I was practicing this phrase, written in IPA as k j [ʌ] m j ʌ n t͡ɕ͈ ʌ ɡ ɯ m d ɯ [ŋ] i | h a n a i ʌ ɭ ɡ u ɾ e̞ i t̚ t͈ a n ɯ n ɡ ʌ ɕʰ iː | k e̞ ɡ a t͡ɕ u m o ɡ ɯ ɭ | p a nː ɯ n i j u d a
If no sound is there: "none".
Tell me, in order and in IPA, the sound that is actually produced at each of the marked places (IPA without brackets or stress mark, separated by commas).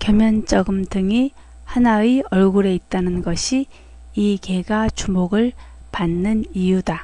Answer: ʌ, ŋ